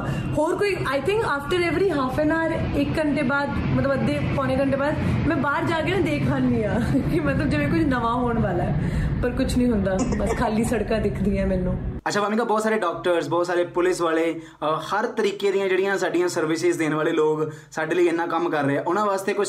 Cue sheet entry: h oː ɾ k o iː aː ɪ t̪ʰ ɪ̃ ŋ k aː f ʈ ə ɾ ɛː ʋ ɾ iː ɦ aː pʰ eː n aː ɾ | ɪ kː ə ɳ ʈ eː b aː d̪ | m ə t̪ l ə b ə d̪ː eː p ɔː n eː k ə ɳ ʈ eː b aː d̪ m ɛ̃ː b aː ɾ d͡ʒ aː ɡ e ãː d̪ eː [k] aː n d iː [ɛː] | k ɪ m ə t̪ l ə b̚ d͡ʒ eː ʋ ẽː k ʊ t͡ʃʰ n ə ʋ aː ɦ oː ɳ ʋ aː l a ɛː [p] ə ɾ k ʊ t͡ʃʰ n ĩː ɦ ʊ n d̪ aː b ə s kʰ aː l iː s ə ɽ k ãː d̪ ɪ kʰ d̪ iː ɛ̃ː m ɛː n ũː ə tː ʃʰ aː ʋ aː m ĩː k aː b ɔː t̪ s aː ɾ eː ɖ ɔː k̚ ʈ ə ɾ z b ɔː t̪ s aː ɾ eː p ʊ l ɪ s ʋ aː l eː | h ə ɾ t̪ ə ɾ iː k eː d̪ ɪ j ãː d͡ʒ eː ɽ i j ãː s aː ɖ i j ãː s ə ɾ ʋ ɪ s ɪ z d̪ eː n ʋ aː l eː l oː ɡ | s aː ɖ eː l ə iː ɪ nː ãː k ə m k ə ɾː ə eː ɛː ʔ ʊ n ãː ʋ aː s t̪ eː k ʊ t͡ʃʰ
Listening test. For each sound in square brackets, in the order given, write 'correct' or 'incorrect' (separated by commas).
incorrect, incorrect, correct